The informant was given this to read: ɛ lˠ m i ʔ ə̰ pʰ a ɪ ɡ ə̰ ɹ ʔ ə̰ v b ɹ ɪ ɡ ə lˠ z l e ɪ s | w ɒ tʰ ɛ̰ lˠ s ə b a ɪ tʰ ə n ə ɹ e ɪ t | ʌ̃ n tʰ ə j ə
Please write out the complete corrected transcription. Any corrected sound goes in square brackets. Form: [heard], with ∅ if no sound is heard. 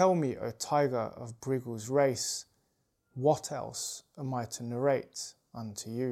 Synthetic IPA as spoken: ɛ lˠ m i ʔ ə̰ [tʰ] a ɪ ɡ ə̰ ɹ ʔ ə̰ v b ɹ ɪ ɡ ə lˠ z [ɹ] e ɪ s | w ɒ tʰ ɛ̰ lˠ s ə [m] a ɪ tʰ ə n ə ɹ e ɪ t | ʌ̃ n tʰ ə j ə